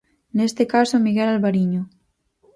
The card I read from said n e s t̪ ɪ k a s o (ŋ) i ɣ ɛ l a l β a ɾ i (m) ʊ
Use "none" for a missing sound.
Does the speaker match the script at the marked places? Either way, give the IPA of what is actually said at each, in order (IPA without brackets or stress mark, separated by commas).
m, ɲ